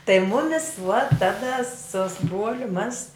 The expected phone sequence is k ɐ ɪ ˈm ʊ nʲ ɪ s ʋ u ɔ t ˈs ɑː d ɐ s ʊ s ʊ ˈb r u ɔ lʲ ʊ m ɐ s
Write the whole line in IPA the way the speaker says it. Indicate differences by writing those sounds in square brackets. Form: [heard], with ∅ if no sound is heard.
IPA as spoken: [t] ɐ ɪ ˈm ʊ [mʲ] ɪ s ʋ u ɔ t [ˈt] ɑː d ɐ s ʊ s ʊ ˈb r u ɔ lʲ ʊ m ɐ s